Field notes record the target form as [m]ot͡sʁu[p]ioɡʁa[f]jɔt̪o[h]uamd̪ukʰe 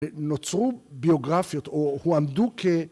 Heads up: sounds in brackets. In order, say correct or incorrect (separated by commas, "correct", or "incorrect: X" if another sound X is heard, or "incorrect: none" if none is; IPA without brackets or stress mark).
incorrect: n, incorrect: b, correct, correct